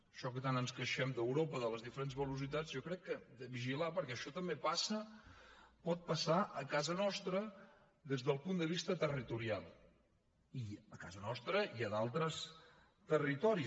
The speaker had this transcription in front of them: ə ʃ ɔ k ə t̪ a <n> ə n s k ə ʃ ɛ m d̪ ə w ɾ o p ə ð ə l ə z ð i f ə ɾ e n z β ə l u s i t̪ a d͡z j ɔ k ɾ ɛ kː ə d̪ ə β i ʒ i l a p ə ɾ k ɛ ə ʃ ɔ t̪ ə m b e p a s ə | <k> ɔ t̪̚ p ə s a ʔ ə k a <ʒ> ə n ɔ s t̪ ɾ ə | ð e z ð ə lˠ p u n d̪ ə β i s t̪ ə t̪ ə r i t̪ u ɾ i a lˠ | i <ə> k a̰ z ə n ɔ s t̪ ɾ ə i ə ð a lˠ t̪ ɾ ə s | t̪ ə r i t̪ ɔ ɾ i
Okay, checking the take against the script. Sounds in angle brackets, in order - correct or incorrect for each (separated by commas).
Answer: correct, incorrect, incorrect, correct